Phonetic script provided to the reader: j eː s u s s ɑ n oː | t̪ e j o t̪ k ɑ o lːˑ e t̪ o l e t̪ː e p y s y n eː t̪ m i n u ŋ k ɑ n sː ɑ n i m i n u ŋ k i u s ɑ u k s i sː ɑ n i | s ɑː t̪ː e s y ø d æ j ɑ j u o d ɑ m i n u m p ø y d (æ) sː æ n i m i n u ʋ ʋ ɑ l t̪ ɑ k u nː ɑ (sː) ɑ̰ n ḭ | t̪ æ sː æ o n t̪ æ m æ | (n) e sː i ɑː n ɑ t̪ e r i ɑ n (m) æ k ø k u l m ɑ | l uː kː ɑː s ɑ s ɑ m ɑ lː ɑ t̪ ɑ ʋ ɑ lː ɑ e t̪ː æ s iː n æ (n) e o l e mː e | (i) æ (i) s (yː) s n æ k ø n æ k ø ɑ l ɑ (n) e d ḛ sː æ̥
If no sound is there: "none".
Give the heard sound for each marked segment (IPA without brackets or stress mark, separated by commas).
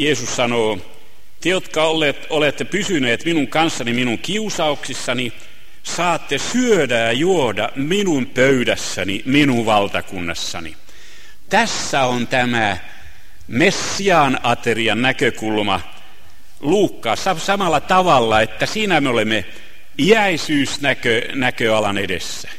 æ, sː, m, n, m, i, i, yː, n